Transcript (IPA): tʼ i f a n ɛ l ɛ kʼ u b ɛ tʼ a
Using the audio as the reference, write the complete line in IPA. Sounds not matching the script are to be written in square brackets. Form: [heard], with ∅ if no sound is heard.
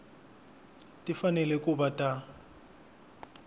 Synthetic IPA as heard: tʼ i f a n ɛ l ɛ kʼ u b [a] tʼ a